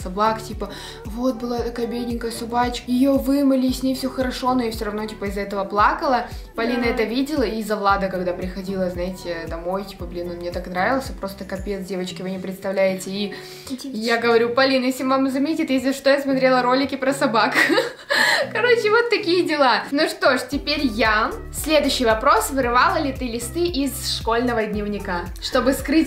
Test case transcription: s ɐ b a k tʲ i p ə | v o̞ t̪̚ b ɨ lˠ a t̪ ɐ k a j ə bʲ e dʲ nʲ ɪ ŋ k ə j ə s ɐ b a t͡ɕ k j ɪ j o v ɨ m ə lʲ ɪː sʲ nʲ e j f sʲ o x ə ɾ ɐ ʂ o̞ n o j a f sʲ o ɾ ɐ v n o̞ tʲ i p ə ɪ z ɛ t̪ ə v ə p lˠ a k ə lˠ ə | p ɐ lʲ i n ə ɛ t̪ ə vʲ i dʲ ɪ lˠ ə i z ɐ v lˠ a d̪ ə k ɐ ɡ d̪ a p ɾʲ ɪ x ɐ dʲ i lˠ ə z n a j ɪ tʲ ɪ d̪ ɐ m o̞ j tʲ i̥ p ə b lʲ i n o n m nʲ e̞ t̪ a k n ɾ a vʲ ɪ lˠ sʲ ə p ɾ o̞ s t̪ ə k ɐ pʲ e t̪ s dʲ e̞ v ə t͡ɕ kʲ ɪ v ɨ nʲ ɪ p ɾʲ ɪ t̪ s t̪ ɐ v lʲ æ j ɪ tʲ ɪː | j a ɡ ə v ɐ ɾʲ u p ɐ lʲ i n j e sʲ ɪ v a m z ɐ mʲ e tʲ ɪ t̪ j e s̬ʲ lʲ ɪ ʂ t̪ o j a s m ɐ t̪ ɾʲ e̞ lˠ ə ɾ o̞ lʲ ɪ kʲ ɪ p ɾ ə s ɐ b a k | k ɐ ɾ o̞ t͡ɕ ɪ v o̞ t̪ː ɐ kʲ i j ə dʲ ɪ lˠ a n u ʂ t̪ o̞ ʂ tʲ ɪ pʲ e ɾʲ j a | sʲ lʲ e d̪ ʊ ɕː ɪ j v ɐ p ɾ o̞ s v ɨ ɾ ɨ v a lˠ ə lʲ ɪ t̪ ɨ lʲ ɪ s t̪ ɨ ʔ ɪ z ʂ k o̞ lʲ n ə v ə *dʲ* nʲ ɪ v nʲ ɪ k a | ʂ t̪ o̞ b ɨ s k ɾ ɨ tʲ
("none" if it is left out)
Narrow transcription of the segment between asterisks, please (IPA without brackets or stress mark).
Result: dʲ